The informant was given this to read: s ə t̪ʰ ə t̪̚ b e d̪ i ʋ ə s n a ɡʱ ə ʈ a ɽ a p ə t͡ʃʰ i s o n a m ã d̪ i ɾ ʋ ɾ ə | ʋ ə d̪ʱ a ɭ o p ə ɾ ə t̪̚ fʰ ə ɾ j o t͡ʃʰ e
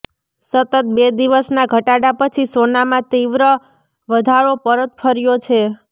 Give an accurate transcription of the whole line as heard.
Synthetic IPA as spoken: s ə t̪ ə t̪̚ b e d̪ i ʋ ə s n a ɡʱ ə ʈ a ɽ a p ə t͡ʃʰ i s o n a m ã t̪ i ʋ ɾ ə | ʋ ə d̪ʱ a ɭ o p ə ɾ ə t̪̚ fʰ ə ɾ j o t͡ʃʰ e

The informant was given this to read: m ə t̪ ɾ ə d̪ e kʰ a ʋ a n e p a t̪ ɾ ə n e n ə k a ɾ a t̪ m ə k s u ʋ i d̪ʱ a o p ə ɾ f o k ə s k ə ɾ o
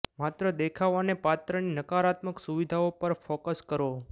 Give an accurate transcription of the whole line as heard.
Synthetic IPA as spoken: m a t̪ ɾ ə d̪ e kʰ a ʋ a n e p a t̪ ɾ ə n i n ə k a ɾ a t̪ m ə k s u ʋ i d̪ʱ a o p ə ɾ f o k ə s k ə ɾ o

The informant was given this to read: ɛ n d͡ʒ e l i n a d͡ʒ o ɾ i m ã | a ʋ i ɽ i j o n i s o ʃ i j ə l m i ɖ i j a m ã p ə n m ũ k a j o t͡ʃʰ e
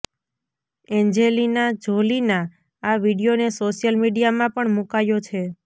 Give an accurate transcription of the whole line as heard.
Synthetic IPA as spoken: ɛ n d͡ʒ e l i n a d͡ʒ o l i n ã | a ʋ i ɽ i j o n e s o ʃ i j ə l m i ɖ i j a m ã p ə ɳ m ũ k a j o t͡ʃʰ e

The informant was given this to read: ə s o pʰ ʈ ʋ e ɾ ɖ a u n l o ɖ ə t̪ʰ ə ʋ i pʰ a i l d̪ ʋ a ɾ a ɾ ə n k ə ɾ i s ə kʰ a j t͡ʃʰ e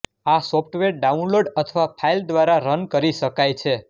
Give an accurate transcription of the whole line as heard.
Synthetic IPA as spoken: a s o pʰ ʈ ʋ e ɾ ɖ a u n l o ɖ ə t̪ʰ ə ʋ a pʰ a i l d̪ ʋ a ɾ a ɾ ə n k ə ɾ i ʃ ə k a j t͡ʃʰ e

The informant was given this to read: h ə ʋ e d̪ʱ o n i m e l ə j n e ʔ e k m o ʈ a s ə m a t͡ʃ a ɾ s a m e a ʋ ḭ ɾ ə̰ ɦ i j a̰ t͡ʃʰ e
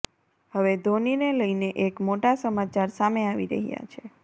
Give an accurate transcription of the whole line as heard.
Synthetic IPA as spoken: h ə ʋ e d̪ʱ o n i n e l ə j n e ʔ e k m o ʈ a s ə m a t͡ʃ a ɾ s a m e a ʋ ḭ ɾ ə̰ ɦ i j a̰ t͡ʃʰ e

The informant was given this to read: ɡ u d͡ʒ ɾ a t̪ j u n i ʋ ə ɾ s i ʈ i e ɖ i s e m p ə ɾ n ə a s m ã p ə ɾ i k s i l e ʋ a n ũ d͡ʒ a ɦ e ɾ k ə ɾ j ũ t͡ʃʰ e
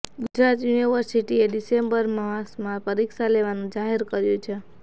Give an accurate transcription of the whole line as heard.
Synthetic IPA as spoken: ɡ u d͡ʒ ɾ a t̪ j u n i ʋ ə ɾ s i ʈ i e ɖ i s e m b ə ɾ m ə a s m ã p ə ɾ i k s a l e ʋ a n ũ d͡ʒ a ɦ e ɾ k ə ɾ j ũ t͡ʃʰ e

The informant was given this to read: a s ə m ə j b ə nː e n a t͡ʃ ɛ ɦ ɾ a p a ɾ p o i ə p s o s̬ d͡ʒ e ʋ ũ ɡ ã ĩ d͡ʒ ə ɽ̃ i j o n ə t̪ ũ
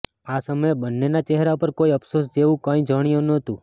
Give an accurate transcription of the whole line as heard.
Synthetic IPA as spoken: a s ə m ə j b ə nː e n a t͡ʃ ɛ ɦ ɾ a p ə ɾ k o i ə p s o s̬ d͡ʒ e ʋ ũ k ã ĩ d͡ʒ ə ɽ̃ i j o n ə t̪ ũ

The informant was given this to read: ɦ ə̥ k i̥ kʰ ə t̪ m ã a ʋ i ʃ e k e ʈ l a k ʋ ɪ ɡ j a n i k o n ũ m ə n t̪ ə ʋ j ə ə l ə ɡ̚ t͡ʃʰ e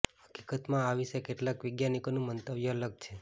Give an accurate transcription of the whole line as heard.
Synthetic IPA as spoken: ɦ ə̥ k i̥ k ə t̪ m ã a ʋ i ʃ e k e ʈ l a k ʋ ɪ ɡ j a n i k o n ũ m ə n t̪ ə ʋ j ə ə l ə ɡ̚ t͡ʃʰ e

